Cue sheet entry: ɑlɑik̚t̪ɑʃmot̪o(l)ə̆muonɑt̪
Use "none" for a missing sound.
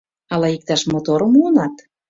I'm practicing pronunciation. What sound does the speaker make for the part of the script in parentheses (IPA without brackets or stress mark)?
ɾ